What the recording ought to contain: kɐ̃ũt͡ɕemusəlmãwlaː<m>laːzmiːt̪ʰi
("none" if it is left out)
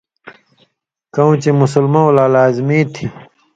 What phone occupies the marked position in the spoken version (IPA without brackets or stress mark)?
none